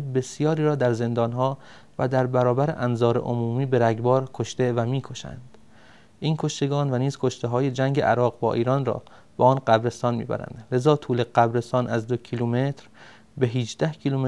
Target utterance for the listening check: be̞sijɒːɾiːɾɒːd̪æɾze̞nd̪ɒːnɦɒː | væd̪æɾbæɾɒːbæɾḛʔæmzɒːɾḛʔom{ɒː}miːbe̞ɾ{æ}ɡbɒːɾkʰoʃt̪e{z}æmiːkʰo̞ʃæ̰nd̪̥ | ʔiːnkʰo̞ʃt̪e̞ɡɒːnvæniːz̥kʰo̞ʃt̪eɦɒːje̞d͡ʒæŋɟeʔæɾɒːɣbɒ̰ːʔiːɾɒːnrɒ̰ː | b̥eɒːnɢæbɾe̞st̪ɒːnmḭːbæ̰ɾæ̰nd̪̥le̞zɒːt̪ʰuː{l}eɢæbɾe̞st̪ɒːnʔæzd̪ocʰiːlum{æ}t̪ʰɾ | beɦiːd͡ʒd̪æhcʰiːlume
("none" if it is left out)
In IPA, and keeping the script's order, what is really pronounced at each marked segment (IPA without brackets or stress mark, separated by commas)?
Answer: uː, æ, v, l, e